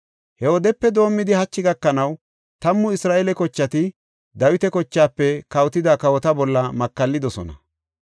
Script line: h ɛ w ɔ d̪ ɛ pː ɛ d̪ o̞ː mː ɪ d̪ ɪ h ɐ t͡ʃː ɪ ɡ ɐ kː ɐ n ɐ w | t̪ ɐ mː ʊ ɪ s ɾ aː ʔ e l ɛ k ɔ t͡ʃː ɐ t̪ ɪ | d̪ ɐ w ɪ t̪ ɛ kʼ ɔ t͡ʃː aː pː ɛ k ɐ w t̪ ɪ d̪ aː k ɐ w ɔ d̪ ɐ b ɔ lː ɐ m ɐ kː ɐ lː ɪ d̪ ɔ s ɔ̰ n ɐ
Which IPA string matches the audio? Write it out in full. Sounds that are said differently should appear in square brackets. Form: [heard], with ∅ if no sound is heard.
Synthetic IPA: h ɛ w ɔ d̪ ɛ pː ɛ d̪ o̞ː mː ɪ d̪ ɪ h ɐ t͡ʃː ɪ ɡ ɐ kː ɐ n ɐ w | t̪ ɐ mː ʊ ɪ s ɾ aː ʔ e l ɛ k ɔ t͡ʃː ɐ t̪ ɪ | d̪ ɐ w ɪ t̪ ɛ [k] ɔ t͡ʃː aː pː ɛ k ɐ w t̪ ɪ d̪ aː k ɐ w ɔ [t̪] ɐ b ɔ lː ɐ m ɐ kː ɐ lː ɪ d̪ ɔ s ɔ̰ n ɐ

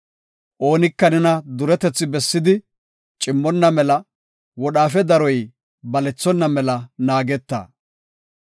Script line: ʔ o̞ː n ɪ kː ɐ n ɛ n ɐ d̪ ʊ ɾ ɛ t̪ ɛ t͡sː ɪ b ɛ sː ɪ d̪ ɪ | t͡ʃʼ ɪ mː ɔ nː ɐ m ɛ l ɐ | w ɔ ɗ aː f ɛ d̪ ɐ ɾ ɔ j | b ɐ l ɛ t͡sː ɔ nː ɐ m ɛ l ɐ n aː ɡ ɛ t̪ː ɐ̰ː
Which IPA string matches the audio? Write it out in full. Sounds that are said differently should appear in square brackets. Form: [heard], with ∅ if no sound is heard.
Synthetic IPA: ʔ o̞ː n ɪ kː ɐ n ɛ n ɐ d̪ ʊ ɾ ɛ t̪ ɛ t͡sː ɪ b ɛ sː ɪ d̪ ɪ | t͡ʃʼ ɪ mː ɔ nː ɐ m ɛ l ɐ | w ɔ ɗ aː f ɛ d̪ ɐ ɾ ɔ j | b ɐ l ɛ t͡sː ɔ nː ɐ m ɛ l ɐ n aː ɡ ɛ t̪ː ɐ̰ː

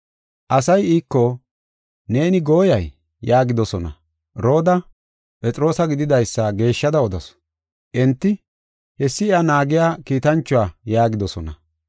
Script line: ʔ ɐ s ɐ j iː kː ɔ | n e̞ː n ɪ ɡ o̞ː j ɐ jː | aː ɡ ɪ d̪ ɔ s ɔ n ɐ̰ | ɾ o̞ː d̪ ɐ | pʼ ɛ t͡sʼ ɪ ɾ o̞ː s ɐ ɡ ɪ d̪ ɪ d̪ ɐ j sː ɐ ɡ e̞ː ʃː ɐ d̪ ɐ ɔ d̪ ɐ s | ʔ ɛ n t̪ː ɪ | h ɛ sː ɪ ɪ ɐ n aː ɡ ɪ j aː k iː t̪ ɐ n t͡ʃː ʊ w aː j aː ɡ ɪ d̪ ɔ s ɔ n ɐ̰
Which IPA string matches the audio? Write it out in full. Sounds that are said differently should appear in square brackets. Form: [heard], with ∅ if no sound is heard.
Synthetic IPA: ʔ ɐ s ɐ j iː kː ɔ | n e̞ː n ɪ ɡ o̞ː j ɐ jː | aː ɡ ɪ d̪ ɔ s ɔ n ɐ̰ | ɾ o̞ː d̪ ɐ | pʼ ɛ t͡sʼ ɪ ɾ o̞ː s ɐ ɡ ɪ d̪ ɪ d̪ ɐ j sː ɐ ɡ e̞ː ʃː ɐ d̪ ɐ ɔ d̪ ɐ s | ʔ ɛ n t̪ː ɪ | h ɛ sː ɪ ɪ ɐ n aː ɡ ɪ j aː k iː t̪ ɐ n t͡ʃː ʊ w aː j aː ɡ ɪ d̪ ɔ s ɔ n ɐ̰

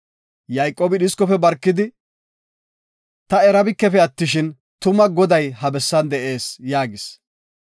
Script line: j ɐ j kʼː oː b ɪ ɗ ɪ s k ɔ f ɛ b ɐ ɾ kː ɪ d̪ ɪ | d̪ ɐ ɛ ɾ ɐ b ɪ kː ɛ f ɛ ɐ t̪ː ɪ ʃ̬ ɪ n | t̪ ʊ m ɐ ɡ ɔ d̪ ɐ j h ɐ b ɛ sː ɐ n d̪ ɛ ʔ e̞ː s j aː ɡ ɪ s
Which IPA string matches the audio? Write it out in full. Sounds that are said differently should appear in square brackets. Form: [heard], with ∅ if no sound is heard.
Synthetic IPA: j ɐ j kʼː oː b ɪ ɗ ɪ s k ɔ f ɛ b ɐ ɾ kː ɪ d̪ ɪ | [t̪] ɐ ɛ ɾ ɐ b ɪ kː ɛ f ɛ ɐ t̪ː ɪ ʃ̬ ɪ n | t̪ ʊ m ɐ ɡ ɔ d̪ ɐ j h ɐ b ɛ sː ɐ n d̪ ɛ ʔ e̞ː s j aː ɡ ɪ s

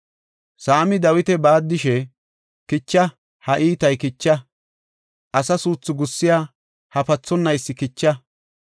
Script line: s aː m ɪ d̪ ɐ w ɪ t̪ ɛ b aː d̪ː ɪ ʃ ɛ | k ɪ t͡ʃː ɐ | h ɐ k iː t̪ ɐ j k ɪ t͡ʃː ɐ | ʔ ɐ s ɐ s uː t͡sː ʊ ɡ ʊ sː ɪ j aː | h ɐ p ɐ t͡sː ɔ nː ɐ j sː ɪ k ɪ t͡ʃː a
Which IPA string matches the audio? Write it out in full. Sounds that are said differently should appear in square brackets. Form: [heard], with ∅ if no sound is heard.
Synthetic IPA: s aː m ɪ d̪ ɐ w ɪ t̪ ɛ b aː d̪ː ɪ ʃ ɛ | k ɪ t͡ʃː ɐ | h ɐ [ʔ] iː t̪ ɐ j k ɪ t͡ʃː ɐ | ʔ ɐ s ɐ s uː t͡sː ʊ ɡ ʊ sː ɪ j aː | h ɐ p ɐ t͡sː ɔ nː ɐ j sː ɪ k ɪ t͡ʃː [ɐ]

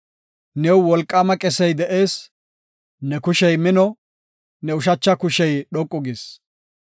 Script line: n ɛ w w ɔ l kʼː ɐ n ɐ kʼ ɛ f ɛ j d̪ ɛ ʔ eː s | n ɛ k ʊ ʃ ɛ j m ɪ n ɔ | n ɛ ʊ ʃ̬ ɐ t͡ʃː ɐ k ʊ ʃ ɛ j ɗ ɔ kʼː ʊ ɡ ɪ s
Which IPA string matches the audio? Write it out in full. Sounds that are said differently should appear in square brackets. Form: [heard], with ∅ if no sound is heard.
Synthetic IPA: n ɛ w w ɔ l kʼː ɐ [m] ɐ kʼ ɛ [s] ɛ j d̪ ɛ ʔ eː s | n ɛ k ʊ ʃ ɛ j m ɪ n ɔ | n ɛ ʊ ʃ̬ ɐ t͡ʃː ɐ k ʊ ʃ ɛ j ɗ ɔ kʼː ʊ ɡ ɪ s

